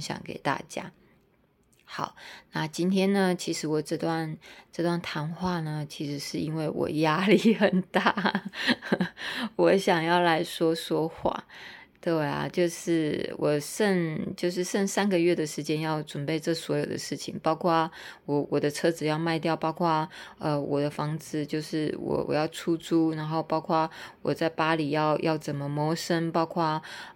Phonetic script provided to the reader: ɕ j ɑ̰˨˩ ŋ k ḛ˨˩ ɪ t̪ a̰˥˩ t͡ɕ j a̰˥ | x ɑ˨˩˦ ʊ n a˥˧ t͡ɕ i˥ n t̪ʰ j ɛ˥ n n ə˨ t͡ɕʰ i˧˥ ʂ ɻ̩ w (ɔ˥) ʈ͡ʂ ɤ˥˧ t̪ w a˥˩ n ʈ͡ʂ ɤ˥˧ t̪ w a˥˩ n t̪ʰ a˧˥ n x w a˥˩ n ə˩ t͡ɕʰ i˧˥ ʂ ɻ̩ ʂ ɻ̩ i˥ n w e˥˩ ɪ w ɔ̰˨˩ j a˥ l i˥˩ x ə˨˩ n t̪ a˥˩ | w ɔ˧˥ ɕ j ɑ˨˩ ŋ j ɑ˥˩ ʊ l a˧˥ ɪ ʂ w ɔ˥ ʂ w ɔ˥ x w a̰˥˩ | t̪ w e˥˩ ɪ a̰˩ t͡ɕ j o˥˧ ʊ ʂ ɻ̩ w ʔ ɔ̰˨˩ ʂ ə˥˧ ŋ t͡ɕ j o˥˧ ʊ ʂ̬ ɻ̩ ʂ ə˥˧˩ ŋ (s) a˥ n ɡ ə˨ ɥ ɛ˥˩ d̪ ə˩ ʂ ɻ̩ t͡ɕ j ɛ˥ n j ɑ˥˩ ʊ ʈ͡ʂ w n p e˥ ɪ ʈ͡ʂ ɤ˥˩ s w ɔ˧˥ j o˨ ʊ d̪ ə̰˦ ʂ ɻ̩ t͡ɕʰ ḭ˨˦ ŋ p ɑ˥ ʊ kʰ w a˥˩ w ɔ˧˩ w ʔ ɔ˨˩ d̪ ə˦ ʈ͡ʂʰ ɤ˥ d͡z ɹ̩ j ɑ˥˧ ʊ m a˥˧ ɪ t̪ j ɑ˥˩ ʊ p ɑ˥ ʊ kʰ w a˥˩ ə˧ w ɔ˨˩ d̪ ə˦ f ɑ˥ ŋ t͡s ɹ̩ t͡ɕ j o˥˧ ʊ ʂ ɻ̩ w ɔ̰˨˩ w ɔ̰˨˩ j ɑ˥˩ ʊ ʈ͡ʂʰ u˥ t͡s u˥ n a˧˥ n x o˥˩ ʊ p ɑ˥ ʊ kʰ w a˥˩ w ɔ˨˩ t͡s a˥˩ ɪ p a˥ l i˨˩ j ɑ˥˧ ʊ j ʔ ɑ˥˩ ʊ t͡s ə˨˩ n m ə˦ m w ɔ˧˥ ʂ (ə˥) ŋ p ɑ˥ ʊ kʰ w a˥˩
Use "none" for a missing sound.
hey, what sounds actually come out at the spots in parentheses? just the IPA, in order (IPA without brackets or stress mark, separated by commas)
ɔ˨˩, s, ə˥